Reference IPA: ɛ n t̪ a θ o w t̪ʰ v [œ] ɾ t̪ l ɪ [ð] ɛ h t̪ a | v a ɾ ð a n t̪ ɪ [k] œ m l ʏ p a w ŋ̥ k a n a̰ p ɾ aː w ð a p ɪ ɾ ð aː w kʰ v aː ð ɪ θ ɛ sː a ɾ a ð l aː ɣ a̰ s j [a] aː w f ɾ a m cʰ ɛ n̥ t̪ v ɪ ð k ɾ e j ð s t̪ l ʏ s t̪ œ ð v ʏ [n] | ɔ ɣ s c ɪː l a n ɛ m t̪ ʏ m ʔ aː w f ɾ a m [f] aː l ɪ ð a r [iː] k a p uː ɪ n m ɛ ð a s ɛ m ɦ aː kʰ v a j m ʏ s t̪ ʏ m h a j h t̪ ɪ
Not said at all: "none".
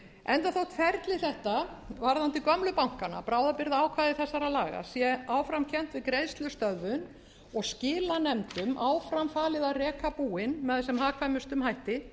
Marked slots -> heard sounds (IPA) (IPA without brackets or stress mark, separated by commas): ɛ, θ, k, ɛ, n, f, ɛː